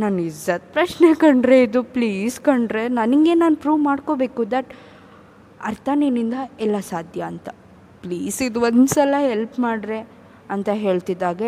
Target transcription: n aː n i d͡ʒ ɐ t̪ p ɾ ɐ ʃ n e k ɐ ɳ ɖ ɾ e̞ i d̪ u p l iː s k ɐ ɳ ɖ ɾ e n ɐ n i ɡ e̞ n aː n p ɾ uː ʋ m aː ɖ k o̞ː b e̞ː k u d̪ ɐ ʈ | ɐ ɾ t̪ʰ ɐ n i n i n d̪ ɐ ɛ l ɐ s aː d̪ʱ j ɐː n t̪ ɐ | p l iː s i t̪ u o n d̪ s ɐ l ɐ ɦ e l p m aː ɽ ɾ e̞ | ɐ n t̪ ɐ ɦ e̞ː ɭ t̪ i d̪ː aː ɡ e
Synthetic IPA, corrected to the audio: n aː n i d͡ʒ ɐ t̪ p ɾ ɐ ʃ n e k ɐ ɳ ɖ ɾ e̞ i d̪ u p l iː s k ɐ ɳ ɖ ɾ e n ɐ n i ɡ e̞ n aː n p ɾ uː ʋ m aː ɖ k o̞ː b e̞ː k u d̪ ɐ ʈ | ɐ ɾ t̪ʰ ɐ n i n i n d̪ ɐ ɛ lː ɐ s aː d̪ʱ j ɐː n t̪ ɐ | p l iː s i d̪ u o n d̪ s ɐ l ɐ ɦ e l p m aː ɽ ɾ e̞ | ɐ n t̪ ɐ ɦ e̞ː ɭ t̪ i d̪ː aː ɡ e